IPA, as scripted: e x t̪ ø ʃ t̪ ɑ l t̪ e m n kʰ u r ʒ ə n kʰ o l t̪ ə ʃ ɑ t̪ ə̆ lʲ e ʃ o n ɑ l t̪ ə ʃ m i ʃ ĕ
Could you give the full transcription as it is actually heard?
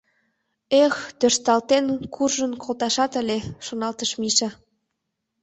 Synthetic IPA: e x t̪ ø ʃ t̪ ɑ l t̪ e n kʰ u r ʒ ə n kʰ o l t̪ ɑ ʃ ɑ t̪ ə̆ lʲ e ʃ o n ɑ l t̪ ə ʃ m i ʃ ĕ